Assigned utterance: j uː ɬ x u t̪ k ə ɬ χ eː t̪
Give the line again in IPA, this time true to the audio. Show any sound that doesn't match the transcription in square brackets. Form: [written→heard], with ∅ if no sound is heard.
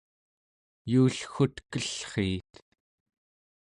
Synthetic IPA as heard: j uː ɬ x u t̪ k ə ɬ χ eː t̪